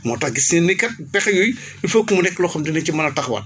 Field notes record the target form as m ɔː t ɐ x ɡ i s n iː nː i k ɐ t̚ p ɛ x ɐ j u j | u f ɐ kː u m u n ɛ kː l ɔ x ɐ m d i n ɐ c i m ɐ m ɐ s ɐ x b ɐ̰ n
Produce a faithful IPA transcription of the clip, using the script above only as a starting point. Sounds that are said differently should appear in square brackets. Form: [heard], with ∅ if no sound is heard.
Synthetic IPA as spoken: m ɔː t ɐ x ɡ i s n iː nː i k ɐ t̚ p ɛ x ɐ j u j | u f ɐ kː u m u n ɛ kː l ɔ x ɐ m d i n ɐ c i m ɐ [n] ɐ [t] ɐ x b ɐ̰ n